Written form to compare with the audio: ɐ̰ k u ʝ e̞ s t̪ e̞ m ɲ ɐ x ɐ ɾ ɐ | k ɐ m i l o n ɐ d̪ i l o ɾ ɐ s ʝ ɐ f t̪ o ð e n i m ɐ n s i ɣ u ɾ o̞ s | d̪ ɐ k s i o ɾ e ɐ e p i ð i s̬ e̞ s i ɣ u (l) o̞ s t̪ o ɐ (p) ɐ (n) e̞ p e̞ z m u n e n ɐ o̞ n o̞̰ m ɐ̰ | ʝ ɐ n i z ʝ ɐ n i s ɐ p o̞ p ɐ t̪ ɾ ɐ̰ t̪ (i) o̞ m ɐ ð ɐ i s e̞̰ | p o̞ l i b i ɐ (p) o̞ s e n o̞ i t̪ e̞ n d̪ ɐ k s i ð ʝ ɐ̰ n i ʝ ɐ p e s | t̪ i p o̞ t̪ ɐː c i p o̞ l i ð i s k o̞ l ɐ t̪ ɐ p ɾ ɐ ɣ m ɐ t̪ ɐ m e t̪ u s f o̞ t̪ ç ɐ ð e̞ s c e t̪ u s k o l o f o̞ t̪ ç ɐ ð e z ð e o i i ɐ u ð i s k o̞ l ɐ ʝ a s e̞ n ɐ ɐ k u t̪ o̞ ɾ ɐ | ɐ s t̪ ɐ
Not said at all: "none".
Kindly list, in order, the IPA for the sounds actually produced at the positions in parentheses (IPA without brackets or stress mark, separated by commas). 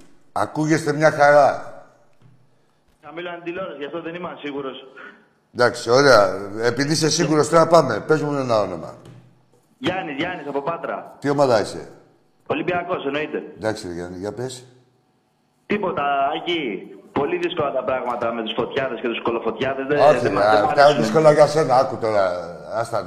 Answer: ɾ, p, m, i, k